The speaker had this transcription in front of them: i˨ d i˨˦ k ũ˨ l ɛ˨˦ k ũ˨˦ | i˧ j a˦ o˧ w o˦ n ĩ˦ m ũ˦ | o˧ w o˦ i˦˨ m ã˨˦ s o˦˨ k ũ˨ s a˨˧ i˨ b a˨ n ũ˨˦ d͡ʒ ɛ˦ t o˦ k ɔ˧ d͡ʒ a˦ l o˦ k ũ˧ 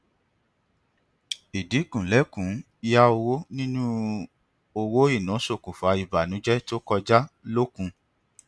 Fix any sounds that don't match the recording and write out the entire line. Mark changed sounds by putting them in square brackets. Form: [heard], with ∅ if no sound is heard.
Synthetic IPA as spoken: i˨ d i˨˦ k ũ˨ l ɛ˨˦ k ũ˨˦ | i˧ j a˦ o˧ w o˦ n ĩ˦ [n] ũ˦ | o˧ w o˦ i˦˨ [n] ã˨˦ s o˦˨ k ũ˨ [f] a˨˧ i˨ b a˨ n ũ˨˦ d͡ʒ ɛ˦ t o˦ k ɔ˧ d͡ʒ a˦ l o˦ k ũ˧